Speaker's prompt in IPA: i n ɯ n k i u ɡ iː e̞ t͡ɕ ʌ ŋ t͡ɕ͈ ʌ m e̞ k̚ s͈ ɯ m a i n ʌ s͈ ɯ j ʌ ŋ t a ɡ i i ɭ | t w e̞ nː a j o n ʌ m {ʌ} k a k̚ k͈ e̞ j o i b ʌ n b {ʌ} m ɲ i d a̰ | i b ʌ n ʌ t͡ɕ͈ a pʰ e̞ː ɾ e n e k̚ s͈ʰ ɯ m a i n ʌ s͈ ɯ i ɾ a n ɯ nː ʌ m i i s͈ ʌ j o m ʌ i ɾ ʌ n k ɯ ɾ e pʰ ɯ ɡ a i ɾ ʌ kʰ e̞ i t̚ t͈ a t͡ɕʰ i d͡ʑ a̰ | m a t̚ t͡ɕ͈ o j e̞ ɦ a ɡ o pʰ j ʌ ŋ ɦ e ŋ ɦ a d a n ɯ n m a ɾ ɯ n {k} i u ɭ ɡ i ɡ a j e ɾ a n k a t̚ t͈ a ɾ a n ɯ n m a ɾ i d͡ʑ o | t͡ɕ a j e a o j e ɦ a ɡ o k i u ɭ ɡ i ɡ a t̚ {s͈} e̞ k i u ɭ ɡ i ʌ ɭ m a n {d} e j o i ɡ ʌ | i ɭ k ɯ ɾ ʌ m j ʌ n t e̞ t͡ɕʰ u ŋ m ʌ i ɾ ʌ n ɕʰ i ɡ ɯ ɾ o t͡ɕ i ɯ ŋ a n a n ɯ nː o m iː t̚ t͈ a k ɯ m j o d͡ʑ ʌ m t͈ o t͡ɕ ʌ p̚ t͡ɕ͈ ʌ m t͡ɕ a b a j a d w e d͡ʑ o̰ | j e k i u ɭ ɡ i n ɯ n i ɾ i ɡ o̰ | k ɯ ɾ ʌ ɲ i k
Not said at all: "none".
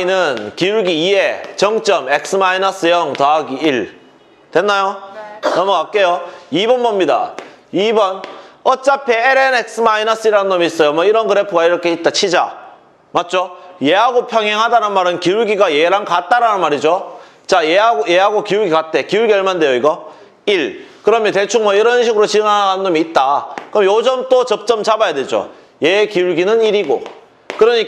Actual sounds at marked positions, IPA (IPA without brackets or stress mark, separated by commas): ʌ, ʌ, k, t͈, d